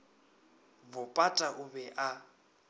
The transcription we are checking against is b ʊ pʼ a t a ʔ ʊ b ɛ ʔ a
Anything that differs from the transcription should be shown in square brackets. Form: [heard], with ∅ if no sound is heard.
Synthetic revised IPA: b ʊ pʼ a [tʼ] a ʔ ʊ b ɛ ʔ a